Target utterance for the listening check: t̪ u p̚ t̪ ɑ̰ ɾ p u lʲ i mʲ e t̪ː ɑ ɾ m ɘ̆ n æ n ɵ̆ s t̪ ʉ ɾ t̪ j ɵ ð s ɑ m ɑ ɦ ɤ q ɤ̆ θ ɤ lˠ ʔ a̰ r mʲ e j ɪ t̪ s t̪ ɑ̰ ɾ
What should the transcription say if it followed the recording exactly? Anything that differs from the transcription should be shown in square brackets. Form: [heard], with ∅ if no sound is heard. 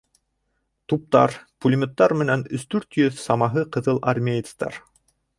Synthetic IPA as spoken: t̪ u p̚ t̪ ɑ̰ ɾ p u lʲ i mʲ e t̪ː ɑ ɾ m ɘ̆ n æ n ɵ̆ s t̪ ʉ ɾ t̪ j ɵ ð s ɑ m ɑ ɦ ɤ q ɤ̆ [ð] ɤ lˠ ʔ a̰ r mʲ e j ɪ t̪ s t̪ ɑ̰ ɾ